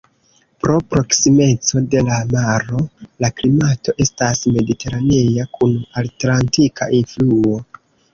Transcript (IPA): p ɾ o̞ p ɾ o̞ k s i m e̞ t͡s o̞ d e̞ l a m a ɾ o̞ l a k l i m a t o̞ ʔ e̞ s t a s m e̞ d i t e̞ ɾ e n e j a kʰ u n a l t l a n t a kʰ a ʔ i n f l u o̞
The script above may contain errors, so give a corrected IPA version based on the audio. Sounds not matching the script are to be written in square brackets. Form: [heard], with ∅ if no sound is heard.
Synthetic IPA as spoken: p ɾ o̞ p ɾ o̞ k s i m e̞ t͡s o̞ d e̞ l a m a ɾ o̞ l a k l i m a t o̞ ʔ e̞ s t a s m e̞ d i t e̞ ɾ [a] n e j a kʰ u n a l t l a n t [i] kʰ a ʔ i n f l u o̞